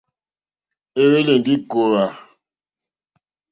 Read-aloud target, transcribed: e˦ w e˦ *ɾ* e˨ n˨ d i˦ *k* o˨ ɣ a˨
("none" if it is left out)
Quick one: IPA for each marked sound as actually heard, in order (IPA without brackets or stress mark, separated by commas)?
l, k